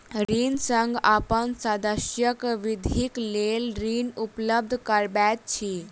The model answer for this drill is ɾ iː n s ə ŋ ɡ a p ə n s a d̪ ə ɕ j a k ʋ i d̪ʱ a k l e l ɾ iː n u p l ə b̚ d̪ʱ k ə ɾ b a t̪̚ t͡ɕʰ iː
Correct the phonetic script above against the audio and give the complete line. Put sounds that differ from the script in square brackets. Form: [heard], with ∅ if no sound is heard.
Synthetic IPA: ɾ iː n s ə ŋ ɡ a p ə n s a d̪ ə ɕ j [ə] k ʋ i d̪ʱ [i] k l e l ɾ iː n u p l ə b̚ d̪ʱ k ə ɾ b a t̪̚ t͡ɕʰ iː